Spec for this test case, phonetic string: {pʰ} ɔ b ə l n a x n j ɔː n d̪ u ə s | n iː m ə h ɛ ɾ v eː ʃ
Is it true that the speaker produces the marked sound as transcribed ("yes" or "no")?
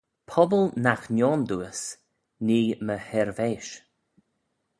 yes